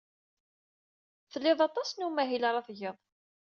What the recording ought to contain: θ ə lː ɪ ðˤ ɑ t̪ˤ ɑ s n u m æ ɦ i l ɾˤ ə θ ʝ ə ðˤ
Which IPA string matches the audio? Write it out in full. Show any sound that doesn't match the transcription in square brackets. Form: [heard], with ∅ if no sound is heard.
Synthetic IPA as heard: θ ə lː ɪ ðˤ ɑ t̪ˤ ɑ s n u m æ ɦ i l ɾˤ [ɑ] θ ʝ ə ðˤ